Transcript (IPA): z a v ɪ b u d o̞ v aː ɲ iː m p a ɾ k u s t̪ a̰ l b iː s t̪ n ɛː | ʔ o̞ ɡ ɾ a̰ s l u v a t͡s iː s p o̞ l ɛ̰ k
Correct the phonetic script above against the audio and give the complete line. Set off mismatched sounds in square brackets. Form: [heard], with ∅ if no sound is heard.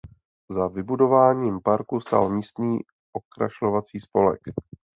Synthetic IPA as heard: z a v ɪ b u d o̞ v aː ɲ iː m p a ɾ k u s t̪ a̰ l [m] iː s t̪ n [iː] | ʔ o̞ [k] ɾ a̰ [ʃ] l [o] v a t͡s iː s p o̞ l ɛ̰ k